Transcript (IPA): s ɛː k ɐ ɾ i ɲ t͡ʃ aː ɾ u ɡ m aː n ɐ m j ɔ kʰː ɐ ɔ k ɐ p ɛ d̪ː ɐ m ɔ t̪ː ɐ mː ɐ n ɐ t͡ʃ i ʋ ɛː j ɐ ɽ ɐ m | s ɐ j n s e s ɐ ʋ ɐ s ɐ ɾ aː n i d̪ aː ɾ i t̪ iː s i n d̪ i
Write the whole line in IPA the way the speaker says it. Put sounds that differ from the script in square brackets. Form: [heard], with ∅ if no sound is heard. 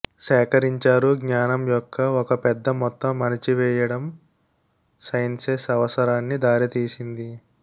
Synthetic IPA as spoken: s ɛː k ɐ ɾ i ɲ t͡ʃ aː ɾ u ɡ [ɲ] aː n ɐ m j ɔ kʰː ɐ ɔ k ɐ p ɛ d̪ː ɐ m ɔ t̪ː ɐ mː ɐ n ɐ t͡ʃ i ʋ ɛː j ɐ ɽ ɐ m | s ɐ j n s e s ɐ ʋ ɐ s ɐ ɾ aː [nː] i d̪ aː ɾ i t̪ iː s i n d̪ i